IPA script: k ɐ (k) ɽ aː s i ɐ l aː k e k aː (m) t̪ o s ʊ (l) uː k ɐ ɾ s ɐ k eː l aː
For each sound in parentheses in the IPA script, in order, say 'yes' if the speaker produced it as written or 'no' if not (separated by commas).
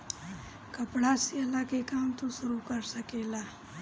no, yes, no